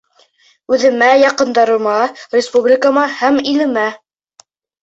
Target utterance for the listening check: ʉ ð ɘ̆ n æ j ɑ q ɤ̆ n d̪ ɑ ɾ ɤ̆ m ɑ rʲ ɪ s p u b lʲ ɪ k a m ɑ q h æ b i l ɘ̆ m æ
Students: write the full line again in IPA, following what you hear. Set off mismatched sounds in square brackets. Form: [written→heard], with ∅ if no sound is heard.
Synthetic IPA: ʉ ð ɘ̆ [n→m] æ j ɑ q ɤ̆ n d̪ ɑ ɾ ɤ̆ m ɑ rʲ ɪ s p u b lʲ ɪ k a m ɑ [q→∅] h æ [b→m] i l ɘ̆ m æ